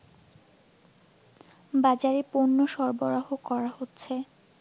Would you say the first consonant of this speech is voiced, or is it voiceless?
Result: voiced